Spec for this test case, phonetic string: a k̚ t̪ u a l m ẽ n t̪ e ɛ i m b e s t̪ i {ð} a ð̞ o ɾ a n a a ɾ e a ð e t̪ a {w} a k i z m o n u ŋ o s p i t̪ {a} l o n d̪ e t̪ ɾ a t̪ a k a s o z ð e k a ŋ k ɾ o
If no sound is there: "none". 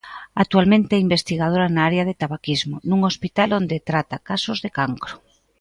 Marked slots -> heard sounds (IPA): ɣ, β, a

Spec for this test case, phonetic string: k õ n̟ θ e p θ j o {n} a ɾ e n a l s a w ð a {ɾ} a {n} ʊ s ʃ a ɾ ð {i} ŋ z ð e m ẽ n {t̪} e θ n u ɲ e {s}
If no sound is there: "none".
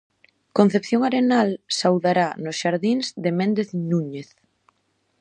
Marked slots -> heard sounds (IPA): ŋ, ɾ, n, i, d̪, θ

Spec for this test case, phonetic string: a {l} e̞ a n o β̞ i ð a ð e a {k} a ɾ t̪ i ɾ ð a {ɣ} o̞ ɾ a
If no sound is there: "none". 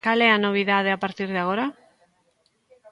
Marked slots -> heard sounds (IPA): l, p, ɣ

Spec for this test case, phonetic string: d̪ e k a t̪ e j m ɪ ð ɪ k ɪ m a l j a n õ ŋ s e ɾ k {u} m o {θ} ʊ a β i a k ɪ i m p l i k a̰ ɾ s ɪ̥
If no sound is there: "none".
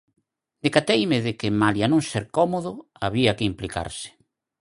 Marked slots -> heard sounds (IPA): ɔ, ð

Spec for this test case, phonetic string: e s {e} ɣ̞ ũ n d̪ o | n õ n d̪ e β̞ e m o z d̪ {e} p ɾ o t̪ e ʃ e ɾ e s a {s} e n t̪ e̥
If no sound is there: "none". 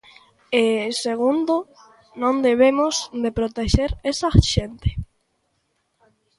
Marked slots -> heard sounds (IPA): e, e, ʃ

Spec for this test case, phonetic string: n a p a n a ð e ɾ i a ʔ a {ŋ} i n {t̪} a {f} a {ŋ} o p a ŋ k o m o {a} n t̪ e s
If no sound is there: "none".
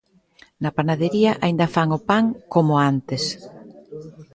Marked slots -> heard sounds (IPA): none, d̪, f, ŋ, a

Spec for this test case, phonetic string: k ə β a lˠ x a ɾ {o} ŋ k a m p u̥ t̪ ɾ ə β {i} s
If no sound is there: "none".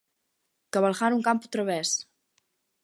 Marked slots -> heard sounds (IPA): u, ɛ

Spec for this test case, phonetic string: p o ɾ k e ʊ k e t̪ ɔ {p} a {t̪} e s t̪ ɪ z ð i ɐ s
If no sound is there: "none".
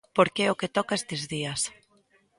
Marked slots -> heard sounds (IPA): k, none

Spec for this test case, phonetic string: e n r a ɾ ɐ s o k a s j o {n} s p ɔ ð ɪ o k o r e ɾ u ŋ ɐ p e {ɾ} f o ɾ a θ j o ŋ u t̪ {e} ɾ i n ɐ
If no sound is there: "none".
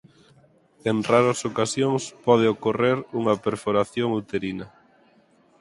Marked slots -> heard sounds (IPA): ŋ, ɾ, e

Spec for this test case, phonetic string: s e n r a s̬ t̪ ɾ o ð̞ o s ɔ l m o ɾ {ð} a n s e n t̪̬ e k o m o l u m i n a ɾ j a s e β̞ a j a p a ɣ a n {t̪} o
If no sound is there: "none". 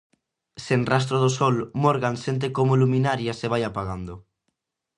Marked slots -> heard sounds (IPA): ɣ, d̪

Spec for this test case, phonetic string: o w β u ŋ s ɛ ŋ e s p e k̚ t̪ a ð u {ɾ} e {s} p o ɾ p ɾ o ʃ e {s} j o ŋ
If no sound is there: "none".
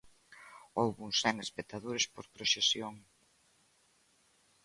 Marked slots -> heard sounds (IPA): ɾ, s, s

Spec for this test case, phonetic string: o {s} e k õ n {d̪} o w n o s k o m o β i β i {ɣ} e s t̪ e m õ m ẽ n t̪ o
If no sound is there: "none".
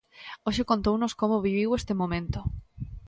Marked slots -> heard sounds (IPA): ʃ, t̪, w

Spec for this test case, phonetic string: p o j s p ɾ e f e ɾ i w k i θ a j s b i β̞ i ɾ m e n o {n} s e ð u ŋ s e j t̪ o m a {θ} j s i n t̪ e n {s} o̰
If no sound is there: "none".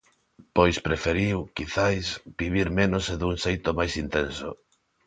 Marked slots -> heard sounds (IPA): none, none, s

